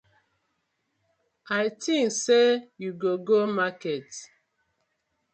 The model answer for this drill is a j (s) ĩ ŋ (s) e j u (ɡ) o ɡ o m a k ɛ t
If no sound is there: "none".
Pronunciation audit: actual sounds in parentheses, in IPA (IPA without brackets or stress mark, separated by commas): t, s, ɡ